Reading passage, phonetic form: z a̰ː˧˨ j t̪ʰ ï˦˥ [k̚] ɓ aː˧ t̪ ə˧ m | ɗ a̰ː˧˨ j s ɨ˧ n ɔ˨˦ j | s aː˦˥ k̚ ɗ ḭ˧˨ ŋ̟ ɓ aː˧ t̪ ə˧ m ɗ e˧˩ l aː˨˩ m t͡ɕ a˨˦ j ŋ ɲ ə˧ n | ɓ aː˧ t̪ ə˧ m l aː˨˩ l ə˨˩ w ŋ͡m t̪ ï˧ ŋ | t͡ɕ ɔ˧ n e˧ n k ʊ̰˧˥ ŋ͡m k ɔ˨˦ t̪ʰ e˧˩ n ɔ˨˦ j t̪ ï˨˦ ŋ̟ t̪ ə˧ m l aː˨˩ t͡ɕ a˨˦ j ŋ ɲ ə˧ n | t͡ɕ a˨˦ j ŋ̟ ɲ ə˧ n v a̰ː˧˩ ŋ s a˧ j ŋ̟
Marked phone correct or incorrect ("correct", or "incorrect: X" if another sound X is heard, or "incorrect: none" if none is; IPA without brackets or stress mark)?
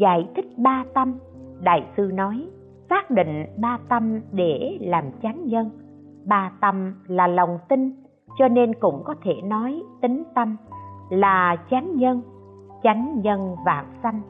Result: correct